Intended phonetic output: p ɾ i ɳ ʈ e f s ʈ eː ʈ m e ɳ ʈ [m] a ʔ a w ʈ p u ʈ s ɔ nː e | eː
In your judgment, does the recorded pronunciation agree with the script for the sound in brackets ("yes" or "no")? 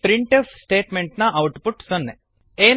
no